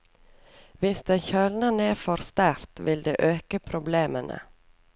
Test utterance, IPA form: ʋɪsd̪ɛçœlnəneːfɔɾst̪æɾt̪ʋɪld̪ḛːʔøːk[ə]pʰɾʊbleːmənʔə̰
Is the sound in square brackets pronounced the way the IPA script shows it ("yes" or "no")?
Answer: yes